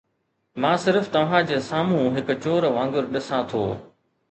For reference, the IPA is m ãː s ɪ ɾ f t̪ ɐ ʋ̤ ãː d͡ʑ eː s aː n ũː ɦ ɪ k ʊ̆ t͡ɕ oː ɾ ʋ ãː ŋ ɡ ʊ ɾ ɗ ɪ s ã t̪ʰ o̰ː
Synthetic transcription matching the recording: m ãː s ɪ ɾ f t̪ ɐ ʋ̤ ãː d͡ʑ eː s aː m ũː ɦ ɪ k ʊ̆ t͡ɕ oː ɾ ʋ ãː ŋ ɡ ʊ ɾ ɗ ɪ s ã t̪ʰ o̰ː